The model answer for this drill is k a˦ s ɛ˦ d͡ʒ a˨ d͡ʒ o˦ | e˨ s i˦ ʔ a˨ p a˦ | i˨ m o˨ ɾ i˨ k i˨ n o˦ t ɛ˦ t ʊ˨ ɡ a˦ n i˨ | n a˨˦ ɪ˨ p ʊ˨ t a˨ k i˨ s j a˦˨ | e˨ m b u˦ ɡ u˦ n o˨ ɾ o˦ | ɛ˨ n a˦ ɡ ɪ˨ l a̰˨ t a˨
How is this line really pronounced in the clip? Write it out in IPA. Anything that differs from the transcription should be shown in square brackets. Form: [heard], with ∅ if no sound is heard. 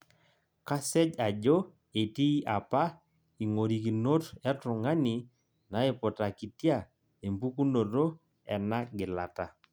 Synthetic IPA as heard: k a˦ s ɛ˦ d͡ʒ a˨ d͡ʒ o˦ | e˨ [t] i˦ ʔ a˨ p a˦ | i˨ [ŋ] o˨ ɾ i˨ k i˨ n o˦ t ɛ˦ t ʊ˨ [ŋ] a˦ n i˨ | n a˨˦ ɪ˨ p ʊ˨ t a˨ k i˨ [t] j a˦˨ | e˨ m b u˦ [k] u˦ n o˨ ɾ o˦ | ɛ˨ n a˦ ɡ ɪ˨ l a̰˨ t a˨

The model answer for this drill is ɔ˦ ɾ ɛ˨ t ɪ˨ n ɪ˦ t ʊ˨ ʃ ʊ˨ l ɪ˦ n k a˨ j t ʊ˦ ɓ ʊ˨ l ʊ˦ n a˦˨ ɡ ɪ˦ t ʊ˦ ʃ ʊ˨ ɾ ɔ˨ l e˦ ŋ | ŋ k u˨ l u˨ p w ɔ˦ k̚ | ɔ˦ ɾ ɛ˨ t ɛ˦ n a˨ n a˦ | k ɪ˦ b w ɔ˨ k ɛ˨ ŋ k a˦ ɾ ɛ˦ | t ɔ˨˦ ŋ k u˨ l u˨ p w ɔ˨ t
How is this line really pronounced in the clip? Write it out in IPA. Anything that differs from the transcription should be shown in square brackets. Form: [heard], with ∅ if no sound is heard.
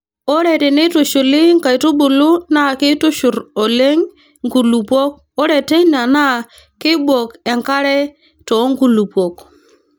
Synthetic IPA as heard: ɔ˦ ɾ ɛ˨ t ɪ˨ n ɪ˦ t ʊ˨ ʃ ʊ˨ l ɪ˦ [ŋ] k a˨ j t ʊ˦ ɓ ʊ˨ l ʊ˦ n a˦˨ [k] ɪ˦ t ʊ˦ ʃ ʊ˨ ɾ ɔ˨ l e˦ ŋ | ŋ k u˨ l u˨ p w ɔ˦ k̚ | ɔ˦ ɾ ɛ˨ t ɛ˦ n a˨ n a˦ | k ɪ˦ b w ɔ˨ k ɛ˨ ŋ k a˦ ɾ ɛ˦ | t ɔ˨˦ ŋ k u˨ l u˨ p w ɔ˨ [k]

